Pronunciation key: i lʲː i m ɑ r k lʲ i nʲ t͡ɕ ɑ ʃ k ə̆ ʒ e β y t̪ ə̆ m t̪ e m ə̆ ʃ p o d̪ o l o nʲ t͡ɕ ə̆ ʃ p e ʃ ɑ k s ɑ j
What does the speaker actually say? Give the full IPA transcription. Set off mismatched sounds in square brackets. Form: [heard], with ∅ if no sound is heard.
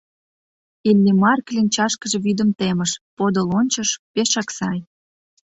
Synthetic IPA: i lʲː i m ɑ r k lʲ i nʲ t͡ɕ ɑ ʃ k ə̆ ʒ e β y [d̪] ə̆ m t̪ e m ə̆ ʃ p o d̪ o l o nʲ t͡ɕ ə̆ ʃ p e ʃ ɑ k s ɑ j